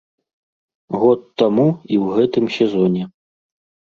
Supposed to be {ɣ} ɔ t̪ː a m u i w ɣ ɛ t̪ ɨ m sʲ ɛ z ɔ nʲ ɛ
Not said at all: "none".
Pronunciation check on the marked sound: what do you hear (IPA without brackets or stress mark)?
ɣ